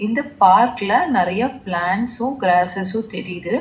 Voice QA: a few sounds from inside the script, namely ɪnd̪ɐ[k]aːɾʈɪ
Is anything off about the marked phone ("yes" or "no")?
yes